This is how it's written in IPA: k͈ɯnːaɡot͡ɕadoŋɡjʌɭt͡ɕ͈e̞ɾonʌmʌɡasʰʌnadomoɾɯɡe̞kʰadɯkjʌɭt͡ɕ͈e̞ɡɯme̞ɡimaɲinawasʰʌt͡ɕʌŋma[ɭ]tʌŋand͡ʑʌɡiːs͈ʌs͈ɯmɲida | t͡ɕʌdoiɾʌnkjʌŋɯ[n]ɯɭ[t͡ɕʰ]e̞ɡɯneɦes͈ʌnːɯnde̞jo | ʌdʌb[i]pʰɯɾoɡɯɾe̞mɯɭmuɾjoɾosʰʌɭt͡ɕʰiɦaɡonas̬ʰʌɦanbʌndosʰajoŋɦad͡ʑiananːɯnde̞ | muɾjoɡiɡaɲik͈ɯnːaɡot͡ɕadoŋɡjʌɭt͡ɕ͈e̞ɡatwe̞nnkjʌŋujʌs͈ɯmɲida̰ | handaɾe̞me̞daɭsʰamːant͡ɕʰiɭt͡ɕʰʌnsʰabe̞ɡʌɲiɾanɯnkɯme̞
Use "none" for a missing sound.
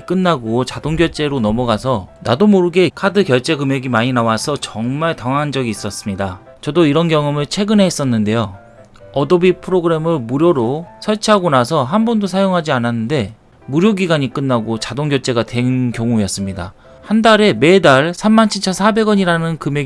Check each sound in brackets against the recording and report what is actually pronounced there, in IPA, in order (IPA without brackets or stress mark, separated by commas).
ɭ, m, t͡ɕʰ, i